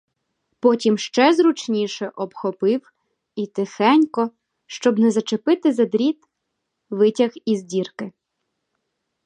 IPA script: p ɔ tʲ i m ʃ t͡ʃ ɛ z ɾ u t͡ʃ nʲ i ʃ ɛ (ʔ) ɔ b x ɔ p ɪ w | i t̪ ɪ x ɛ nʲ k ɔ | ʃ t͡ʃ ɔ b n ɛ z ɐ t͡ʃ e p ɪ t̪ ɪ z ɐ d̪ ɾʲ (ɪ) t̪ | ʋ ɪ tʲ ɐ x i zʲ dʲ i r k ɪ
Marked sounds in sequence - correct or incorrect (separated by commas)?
correct, incorrect